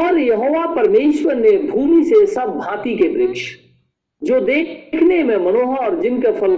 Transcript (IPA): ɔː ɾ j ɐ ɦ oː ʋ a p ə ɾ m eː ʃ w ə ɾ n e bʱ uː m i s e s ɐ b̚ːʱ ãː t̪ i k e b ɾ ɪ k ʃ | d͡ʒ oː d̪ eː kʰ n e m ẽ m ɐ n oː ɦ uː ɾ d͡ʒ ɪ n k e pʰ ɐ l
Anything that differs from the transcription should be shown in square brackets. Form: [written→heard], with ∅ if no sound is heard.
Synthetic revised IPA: ɔː ɾ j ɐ ɦ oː ʋ a p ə ɾ m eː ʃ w ə ɾ n e bʱ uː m i s e s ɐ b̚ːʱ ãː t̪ i k e b ɾ ɪ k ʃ | d͡ʒ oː d̪ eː kʰ n e m ẽ m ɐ n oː ɦ [uː→ɔː] ɾ d͡ʒ ɪ n k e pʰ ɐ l